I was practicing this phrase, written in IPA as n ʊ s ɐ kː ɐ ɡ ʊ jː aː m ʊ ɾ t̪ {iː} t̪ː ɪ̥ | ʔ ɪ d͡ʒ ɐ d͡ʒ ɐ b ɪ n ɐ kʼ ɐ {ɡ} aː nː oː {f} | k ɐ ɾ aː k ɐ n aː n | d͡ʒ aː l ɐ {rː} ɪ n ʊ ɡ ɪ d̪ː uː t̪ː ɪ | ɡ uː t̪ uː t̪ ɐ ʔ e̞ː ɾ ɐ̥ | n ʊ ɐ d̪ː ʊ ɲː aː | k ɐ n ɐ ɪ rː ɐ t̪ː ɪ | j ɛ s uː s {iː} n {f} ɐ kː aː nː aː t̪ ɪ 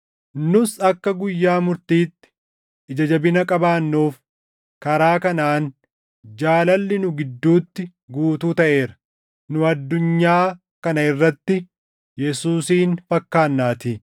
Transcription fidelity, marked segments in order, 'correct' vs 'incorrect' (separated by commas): correct, incorrect, correct, incorrect, correct, correct